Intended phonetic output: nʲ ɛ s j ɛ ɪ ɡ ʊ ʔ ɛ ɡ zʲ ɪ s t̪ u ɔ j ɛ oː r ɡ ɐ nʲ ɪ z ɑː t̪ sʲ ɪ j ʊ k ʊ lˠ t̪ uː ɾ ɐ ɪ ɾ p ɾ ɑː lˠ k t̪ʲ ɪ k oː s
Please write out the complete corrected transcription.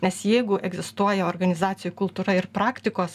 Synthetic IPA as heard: nʲ ɛ s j ɛ ɪ ɡ ʊ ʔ ɛ ɡ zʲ ɪ s t̪ u ɔ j ɛ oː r ɡ ɐ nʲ ɪ z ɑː t̪ sʲ ɪ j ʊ k ʊ lˠ t̪ uː ɾ ɐ ɪ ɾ p ɾ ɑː k t̪ʲ ɪ k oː s